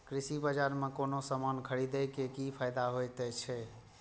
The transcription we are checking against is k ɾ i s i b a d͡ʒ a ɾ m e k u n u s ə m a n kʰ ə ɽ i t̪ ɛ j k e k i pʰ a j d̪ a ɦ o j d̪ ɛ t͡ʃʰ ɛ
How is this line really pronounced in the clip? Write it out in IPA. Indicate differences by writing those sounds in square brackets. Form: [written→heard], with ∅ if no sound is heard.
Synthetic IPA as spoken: k ɾ i s i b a d͡ʒ a ɾ m e k [u→o] n [u→o] s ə m a n kʰ ə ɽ i [t̪→d̪] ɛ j k e k i pʰ a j d̪ a ɦ o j [d̪→t̪] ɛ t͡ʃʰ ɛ